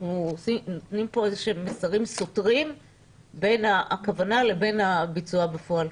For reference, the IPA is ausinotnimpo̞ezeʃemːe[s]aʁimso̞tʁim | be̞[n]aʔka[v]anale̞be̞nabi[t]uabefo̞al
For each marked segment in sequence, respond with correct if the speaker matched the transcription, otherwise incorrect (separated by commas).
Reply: correct, correct, correct, incorrect